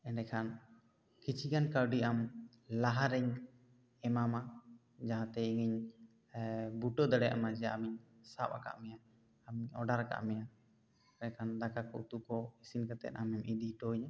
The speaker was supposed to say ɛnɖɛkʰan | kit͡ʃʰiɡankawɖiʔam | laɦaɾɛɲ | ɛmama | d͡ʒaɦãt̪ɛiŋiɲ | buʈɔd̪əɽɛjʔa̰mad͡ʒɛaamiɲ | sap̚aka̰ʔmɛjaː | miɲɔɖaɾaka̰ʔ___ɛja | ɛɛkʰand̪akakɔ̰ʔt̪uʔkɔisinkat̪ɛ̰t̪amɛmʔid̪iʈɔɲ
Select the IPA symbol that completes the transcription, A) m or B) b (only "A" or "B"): A